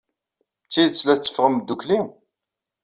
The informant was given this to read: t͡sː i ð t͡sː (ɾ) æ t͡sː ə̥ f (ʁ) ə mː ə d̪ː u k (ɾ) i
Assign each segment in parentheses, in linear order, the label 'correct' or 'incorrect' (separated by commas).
incorrect, correct, incorrect